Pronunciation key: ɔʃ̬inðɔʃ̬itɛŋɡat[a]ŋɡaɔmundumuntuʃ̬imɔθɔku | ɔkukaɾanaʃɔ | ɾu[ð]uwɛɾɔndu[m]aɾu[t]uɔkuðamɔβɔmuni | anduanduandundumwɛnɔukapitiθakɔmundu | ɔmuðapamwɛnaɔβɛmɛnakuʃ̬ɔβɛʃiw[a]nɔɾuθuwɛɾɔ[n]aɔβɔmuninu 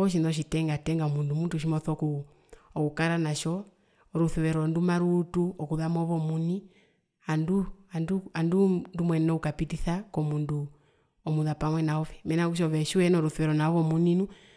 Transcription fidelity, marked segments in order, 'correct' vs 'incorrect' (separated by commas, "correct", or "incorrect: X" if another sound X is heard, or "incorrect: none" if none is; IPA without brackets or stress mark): incorrect: ɛ, incorrect: θ, correct, correct, incorrect: ɛ, correct